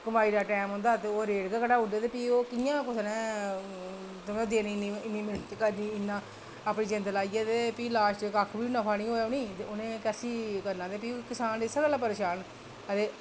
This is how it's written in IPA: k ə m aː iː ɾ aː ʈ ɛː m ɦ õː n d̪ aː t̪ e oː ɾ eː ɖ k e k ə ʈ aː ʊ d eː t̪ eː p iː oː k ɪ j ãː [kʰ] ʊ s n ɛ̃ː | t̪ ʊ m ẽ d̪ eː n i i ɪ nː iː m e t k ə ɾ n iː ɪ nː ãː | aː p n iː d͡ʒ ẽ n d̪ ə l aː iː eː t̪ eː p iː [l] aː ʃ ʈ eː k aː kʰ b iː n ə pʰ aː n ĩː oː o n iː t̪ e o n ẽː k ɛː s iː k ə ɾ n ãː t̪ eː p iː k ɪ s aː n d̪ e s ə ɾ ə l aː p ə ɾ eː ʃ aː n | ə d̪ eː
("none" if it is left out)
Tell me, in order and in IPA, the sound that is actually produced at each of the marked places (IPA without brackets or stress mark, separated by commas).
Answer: k, l